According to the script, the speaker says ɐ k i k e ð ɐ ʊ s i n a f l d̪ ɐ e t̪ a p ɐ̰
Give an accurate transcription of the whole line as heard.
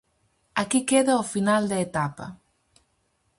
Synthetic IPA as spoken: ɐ k i k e ð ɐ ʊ f i n a l d̪ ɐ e t̪ a p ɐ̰